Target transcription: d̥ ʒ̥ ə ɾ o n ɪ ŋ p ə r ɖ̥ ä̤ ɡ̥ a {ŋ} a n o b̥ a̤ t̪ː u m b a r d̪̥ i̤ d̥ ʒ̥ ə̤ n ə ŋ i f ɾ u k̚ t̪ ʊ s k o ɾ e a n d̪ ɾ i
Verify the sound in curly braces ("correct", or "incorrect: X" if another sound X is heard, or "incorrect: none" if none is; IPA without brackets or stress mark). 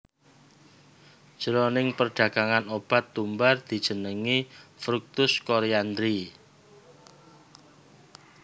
correct